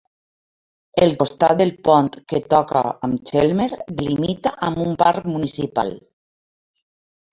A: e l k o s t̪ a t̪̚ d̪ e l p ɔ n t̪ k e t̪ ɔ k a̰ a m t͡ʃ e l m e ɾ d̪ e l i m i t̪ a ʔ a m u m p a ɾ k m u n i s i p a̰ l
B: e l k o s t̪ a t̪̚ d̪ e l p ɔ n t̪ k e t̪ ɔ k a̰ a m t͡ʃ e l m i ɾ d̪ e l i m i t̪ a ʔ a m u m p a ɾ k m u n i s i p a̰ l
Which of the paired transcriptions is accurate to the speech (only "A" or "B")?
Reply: A